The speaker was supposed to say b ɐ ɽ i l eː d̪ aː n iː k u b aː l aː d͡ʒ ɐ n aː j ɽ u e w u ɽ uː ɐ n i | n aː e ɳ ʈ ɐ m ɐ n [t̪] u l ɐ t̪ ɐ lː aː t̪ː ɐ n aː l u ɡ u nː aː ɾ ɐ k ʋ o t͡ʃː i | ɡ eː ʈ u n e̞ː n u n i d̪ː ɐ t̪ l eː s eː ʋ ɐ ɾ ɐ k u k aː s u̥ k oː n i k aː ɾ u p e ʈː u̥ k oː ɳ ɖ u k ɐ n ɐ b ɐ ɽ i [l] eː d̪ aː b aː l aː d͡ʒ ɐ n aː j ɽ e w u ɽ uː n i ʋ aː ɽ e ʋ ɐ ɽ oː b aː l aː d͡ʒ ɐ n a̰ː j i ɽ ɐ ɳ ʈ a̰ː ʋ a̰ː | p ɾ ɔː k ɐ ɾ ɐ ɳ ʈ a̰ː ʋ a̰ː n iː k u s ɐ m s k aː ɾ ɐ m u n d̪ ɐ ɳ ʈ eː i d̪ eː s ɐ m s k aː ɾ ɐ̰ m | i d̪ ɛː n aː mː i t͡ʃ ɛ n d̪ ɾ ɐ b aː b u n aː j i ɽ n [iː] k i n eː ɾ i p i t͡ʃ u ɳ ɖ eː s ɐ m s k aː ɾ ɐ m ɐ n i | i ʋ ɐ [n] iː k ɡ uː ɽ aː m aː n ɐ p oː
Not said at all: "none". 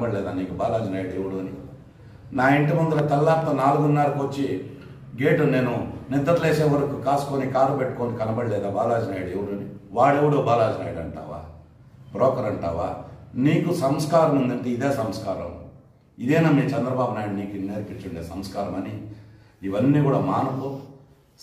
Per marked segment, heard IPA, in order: d̪, l, iː, nː

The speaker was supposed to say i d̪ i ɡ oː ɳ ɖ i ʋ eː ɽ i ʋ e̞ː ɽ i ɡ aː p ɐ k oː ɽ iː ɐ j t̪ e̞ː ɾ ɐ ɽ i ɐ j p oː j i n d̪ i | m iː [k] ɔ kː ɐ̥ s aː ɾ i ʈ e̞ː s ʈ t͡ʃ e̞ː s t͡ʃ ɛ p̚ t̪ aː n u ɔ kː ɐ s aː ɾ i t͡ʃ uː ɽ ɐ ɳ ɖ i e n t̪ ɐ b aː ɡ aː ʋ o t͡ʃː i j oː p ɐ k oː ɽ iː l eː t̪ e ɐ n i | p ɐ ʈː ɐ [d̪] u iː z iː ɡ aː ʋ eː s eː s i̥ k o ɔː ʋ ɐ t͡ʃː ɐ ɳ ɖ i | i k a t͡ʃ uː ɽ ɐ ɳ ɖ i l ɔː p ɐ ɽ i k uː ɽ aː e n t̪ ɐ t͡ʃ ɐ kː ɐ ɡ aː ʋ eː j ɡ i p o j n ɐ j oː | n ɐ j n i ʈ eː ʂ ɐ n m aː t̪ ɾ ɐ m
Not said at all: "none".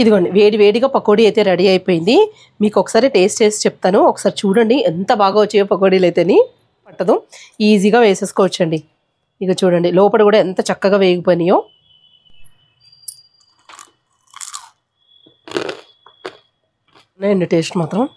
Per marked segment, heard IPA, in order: k, d̪

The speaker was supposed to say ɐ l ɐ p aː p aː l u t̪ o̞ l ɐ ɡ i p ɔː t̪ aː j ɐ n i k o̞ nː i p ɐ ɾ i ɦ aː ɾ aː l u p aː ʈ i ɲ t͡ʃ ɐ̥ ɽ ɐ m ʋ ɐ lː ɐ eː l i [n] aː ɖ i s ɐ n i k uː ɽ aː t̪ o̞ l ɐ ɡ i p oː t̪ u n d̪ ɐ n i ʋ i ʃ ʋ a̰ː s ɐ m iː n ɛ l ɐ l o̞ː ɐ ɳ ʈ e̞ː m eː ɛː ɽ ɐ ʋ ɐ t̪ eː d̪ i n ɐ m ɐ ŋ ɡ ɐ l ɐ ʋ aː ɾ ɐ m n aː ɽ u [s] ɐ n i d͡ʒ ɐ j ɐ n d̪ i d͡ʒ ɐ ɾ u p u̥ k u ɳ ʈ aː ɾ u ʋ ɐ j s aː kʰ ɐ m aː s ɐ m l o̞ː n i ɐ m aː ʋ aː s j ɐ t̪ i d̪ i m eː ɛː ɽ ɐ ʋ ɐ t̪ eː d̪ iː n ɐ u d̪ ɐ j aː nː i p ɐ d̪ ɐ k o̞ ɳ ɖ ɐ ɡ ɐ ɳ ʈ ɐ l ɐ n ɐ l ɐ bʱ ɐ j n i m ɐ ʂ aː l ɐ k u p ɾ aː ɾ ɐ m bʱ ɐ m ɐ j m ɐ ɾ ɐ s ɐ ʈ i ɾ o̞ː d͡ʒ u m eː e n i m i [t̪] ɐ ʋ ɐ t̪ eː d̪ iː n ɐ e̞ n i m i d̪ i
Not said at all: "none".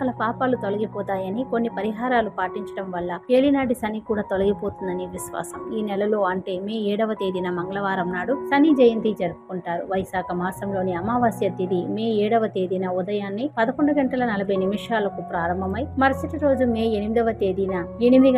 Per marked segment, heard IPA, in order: n, s, d̪

